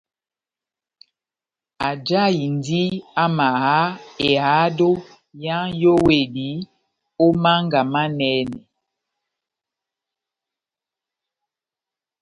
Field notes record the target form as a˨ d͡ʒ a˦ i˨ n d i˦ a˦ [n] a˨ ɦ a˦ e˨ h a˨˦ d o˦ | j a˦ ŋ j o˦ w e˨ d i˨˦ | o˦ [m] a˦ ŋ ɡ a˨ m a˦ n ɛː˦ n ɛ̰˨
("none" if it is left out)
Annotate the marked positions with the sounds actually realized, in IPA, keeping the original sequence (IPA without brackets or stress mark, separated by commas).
m, m